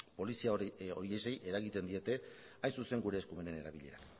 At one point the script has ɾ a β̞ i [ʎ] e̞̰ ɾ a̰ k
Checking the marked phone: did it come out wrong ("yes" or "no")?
no